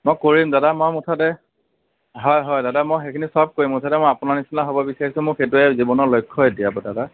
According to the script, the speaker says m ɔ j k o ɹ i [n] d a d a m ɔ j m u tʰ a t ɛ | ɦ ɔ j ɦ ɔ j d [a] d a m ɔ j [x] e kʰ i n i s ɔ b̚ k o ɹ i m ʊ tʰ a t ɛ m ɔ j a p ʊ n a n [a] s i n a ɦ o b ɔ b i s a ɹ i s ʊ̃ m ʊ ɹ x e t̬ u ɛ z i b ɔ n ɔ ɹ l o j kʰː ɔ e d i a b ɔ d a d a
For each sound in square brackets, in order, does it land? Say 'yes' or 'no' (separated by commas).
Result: no, yes, yes, no